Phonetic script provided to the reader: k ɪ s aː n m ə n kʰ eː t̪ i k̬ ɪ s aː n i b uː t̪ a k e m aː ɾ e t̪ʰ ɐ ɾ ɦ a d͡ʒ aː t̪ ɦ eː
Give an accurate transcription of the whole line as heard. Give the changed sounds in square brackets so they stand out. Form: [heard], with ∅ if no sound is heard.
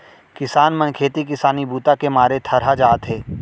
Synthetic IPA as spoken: k ɪ s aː n m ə n kʰ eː t̪ i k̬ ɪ s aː n i b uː t̪ a k e m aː ɾ e t̪ʰ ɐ ɾ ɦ a d͡ʒ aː t̪ ɦ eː